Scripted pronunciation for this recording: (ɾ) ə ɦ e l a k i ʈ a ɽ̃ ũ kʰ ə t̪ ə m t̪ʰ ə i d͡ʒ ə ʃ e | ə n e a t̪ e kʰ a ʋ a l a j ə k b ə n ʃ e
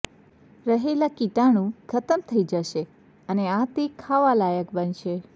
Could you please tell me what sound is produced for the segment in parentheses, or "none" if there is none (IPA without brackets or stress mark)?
ɾ